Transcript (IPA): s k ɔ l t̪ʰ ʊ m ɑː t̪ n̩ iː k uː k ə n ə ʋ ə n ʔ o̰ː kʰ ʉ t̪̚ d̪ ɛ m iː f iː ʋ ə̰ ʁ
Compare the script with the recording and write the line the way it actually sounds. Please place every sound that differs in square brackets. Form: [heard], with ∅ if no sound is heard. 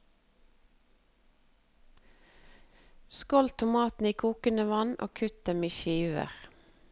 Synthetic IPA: s k ɔ l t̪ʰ ʊ m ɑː t̪ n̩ iː [kʰ] uː k ə n ə ʋ [ɑ] n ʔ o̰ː kʰ ʉ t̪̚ d̪ ɛ m iː [ʃ] iː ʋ ə̰ ʁ